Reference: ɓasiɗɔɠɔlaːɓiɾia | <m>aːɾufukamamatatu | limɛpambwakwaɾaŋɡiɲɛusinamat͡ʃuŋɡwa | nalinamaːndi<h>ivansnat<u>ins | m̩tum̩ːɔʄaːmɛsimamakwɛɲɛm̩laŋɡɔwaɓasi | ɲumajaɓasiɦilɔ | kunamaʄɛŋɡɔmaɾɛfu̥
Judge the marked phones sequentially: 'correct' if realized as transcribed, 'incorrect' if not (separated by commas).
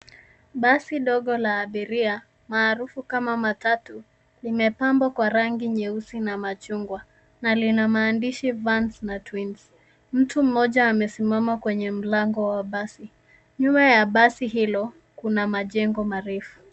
correct, incorrect, incorrect